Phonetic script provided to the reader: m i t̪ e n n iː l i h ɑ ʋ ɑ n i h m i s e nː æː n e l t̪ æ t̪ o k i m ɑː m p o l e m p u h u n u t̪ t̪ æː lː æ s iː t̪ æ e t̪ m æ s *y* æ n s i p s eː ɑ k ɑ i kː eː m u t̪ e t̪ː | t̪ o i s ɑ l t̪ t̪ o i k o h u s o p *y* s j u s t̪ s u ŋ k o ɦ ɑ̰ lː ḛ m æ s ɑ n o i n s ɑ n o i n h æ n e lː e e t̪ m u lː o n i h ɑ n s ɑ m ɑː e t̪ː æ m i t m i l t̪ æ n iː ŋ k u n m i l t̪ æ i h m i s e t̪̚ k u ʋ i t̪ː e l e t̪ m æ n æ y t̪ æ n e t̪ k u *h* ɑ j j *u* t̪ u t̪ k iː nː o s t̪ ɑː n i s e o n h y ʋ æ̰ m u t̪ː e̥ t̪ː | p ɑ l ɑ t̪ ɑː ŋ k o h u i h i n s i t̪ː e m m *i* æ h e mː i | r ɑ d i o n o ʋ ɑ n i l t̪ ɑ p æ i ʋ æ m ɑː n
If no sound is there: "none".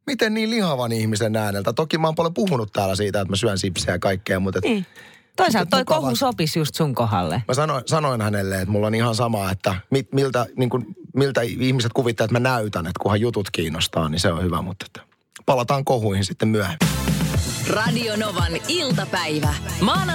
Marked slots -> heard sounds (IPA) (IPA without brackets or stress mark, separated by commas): y, i, h, u, y